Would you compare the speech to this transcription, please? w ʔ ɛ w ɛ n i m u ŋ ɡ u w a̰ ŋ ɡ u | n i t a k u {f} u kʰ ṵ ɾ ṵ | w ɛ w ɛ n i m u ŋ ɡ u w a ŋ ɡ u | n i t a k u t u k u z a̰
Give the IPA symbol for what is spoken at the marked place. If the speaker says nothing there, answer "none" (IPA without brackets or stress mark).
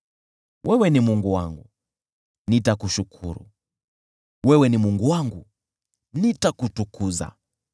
ʃ